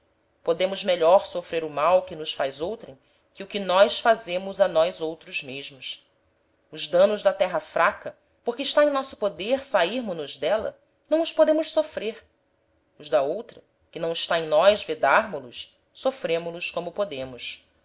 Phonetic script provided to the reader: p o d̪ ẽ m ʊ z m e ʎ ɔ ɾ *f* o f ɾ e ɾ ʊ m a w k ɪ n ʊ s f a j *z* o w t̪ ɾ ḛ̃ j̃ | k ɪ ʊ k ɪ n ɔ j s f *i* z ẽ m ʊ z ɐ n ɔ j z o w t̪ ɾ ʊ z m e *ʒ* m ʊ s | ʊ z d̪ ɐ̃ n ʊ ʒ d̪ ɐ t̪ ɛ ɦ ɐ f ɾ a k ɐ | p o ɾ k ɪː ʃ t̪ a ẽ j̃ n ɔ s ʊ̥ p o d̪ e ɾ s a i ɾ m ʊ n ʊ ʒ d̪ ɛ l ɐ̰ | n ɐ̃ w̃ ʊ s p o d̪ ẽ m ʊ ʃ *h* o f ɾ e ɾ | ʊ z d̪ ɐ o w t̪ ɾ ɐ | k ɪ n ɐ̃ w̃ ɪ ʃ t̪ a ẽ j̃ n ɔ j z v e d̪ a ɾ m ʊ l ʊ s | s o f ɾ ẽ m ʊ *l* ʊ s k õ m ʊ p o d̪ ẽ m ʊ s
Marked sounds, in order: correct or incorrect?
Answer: incorrect, correct, incorrect, correct, incorrect, correct

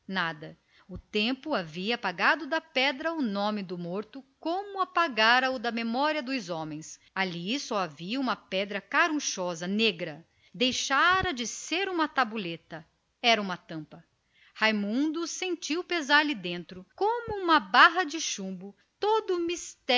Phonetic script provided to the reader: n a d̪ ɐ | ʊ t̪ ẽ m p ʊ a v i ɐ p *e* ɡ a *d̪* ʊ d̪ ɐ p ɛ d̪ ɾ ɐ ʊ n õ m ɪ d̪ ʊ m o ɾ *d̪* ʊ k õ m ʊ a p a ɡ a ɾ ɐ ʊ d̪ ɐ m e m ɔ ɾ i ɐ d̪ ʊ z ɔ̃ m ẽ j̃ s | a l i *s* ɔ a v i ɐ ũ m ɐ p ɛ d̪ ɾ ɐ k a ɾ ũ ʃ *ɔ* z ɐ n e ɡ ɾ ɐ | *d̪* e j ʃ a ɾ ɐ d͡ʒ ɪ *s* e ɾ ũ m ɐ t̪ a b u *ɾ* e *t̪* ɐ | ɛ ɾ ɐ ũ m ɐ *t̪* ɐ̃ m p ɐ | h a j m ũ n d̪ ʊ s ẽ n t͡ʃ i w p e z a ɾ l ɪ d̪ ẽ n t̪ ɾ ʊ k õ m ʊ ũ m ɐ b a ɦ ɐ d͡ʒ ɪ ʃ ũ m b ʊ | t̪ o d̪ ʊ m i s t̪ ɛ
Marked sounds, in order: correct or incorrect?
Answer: incorrect, correct, incorrect, correct, correct, correct, correct, incorrect, correct, correct

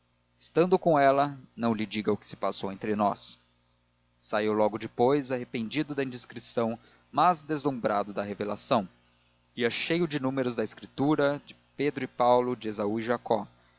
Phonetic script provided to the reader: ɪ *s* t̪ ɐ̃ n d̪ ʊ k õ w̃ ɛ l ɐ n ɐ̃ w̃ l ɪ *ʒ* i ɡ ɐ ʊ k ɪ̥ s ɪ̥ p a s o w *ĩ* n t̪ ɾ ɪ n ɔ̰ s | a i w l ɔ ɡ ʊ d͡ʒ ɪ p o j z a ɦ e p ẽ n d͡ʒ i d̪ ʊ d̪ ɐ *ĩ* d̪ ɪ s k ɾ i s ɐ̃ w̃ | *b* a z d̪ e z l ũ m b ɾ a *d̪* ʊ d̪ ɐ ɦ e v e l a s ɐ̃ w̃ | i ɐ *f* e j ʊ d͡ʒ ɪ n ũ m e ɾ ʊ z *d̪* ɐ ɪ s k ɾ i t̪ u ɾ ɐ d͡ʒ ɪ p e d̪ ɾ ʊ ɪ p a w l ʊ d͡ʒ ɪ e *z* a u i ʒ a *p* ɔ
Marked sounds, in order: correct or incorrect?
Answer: correct, incorrect, incorrect, correct, incorrect, correct, incorrect, correct, correct, incorrect

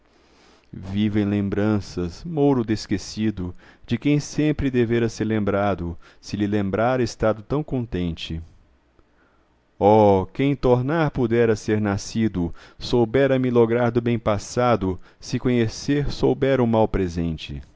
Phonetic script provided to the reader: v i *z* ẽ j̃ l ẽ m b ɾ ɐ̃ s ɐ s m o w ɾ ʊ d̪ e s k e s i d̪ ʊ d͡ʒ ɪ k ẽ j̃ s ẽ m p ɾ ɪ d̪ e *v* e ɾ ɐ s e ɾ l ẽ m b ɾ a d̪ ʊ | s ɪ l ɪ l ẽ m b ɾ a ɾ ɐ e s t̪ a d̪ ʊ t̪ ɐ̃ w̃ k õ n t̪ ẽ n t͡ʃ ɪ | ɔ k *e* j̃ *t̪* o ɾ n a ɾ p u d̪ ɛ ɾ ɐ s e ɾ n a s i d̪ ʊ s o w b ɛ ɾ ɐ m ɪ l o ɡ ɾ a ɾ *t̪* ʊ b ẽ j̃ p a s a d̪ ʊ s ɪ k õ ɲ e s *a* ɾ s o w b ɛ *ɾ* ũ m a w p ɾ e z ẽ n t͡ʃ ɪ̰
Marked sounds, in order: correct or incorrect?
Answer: incorrect, correct, incorrect, correct, incorrect, incorrect, correct

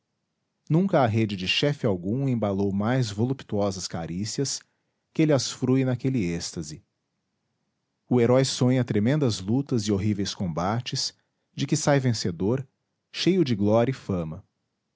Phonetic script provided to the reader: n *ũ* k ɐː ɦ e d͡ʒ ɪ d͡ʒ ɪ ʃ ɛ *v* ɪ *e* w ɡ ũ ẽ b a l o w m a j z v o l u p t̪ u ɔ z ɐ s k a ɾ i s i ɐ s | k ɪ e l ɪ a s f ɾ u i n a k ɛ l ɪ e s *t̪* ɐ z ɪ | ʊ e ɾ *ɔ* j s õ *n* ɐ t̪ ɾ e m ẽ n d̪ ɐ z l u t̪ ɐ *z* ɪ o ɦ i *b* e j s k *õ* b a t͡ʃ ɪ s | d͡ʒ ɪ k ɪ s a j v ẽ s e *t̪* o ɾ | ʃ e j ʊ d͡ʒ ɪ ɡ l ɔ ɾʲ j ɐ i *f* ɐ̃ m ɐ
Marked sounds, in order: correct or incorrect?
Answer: correct, incorrect, incorrect, correct, correct, incorrect, correct, incorrect, correct, incorrect, correct

